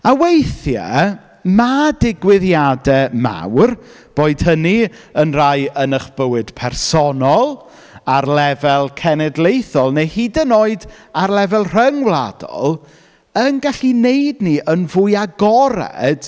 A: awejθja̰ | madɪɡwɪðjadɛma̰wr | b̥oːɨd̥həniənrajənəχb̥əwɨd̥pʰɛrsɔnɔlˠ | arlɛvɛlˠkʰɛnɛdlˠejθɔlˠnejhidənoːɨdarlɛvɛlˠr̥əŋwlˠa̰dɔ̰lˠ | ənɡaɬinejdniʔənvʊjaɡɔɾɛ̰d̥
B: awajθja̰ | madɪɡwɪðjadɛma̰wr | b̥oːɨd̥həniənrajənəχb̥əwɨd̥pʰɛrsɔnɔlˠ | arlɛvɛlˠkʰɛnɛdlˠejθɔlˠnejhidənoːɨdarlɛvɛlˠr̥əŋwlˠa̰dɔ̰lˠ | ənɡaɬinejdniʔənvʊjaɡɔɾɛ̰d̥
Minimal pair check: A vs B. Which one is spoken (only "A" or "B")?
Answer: A